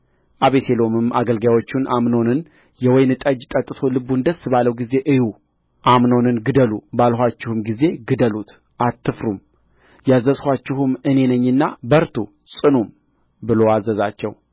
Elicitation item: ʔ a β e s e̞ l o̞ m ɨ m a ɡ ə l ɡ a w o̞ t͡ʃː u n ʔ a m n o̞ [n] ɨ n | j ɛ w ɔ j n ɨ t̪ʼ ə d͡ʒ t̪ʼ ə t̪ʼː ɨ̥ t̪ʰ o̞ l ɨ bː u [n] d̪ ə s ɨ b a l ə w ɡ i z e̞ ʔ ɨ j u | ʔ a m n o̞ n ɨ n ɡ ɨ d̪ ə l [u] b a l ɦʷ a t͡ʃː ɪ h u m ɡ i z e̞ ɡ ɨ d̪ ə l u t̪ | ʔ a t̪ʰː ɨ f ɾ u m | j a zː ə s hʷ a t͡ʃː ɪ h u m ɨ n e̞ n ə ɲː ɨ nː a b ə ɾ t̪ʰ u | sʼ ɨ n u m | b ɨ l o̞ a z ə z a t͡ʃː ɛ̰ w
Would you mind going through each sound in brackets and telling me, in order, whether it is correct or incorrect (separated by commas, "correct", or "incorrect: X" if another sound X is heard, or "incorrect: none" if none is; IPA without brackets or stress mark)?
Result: correct, correct, correct